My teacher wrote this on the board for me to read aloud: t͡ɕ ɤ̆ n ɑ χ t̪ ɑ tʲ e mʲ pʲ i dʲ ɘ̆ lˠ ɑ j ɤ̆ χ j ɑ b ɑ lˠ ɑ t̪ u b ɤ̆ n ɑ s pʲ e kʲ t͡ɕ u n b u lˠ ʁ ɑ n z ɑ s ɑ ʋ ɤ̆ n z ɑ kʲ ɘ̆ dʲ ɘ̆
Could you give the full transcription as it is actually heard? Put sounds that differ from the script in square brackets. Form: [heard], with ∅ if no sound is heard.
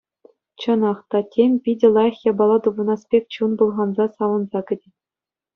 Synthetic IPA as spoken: t͡ɕ ɤ̆ n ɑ χ t̪ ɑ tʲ e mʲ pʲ i dʲ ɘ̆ lˠ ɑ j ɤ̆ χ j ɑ b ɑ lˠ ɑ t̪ u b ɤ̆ n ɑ s pʲ e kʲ t͡ɕ u n b u lˠ ʁ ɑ n z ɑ s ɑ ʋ ɤ̆ n z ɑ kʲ ɘ̆ dʲ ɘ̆